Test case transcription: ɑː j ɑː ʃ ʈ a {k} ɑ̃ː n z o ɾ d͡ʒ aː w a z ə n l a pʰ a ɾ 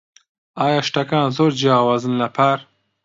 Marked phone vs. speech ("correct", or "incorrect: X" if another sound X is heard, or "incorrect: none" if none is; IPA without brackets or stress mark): correct